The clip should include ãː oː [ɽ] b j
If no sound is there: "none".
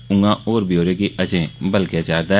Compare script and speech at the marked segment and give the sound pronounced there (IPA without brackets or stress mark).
ɾ